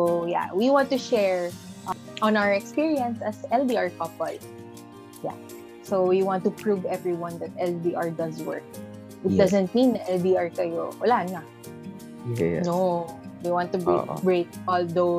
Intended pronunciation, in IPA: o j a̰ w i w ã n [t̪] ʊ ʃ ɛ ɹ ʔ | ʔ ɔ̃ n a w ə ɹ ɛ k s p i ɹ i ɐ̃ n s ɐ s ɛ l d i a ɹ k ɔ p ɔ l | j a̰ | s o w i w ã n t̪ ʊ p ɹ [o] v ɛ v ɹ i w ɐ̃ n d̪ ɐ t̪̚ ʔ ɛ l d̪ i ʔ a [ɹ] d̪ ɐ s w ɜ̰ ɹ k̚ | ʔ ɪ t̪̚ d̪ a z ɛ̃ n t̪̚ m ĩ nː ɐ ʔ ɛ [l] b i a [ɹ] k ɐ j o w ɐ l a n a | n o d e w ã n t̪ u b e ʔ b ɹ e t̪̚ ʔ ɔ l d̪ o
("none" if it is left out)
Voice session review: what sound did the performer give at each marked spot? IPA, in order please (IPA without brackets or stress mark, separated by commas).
t̪, u, ɹ, l, ɹ